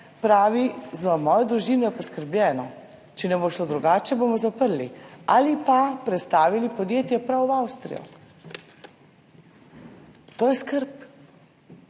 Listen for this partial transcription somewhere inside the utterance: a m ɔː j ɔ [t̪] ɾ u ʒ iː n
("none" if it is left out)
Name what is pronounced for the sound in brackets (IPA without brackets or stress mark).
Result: d̪